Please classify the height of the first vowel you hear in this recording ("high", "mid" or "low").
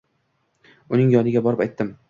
high